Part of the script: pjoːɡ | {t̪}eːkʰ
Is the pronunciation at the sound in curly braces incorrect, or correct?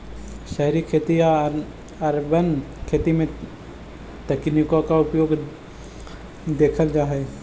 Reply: incorrect